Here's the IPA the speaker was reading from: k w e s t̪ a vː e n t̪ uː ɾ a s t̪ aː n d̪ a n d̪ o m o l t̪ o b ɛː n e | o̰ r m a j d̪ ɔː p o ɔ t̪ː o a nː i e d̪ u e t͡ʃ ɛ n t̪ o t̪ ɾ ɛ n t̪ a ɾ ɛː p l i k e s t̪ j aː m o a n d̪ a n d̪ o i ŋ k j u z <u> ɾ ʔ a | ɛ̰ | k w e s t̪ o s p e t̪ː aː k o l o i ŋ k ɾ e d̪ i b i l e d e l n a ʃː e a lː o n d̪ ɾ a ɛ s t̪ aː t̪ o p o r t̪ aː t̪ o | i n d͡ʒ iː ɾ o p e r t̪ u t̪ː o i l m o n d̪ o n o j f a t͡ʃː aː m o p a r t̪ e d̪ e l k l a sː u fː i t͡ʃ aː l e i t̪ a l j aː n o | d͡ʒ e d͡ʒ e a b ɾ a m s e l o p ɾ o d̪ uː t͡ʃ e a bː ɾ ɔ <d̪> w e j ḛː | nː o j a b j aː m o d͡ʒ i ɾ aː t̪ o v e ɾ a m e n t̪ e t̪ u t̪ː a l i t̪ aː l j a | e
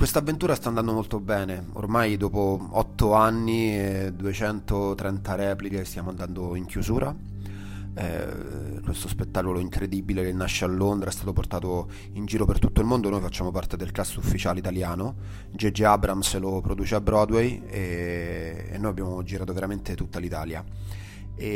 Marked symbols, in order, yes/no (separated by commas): no, yes